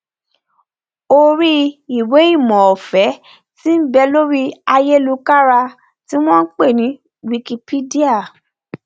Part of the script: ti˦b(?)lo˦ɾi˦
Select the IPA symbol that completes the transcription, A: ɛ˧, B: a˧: A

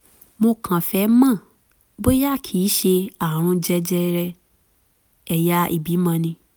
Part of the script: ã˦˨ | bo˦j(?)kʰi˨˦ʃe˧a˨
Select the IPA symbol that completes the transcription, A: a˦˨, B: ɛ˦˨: A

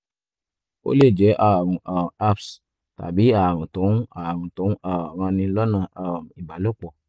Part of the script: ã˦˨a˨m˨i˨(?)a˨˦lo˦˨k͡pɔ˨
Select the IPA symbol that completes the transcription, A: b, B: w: A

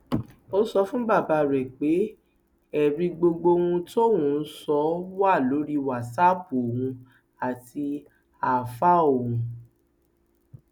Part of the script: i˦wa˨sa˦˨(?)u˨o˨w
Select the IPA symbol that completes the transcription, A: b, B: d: A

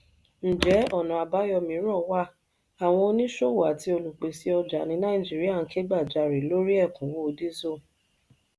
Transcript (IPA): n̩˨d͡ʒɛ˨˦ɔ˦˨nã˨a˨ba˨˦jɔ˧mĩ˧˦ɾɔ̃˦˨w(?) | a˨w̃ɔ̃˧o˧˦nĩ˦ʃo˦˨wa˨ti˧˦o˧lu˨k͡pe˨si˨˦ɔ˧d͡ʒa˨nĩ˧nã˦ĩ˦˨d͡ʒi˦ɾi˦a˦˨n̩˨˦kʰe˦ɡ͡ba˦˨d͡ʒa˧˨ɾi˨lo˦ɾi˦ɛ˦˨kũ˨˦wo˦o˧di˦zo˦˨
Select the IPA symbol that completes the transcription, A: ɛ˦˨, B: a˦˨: B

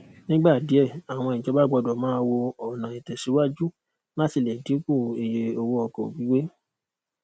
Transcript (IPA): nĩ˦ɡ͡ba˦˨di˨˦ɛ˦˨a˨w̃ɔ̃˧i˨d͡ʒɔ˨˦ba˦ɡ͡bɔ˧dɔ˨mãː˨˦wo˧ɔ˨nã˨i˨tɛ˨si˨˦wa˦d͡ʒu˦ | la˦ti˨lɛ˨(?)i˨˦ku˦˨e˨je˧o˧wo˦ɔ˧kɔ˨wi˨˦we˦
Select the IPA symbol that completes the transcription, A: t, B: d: B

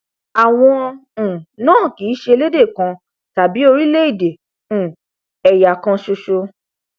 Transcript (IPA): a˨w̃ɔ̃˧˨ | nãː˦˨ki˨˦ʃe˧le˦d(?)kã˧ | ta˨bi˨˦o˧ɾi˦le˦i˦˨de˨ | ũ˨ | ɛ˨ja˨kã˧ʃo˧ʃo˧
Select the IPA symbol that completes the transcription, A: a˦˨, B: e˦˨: B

